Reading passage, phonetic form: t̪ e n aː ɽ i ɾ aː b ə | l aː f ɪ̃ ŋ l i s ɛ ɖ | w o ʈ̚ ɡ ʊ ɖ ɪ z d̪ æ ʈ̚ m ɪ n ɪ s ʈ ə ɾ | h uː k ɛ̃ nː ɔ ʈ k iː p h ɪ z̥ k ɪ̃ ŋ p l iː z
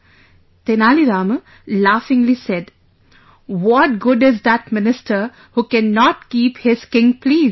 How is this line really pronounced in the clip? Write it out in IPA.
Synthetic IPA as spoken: t̪ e n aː l i ɾ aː m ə | l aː f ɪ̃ ŋ l i s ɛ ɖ | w ɔ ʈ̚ ɡ ʊ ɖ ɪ z d̪ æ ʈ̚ m ɪ n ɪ s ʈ ə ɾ | h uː k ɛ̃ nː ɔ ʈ k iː p h ɪ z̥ k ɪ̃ ŋ p l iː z